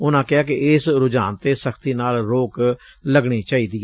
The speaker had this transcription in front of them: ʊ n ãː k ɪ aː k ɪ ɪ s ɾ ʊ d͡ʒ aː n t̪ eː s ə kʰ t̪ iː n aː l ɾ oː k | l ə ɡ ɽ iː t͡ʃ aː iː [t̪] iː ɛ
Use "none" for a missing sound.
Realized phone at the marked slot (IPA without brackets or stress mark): d̪